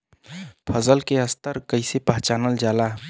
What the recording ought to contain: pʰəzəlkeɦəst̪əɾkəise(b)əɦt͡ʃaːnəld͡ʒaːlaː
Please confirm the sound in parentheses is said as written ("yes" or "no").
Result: no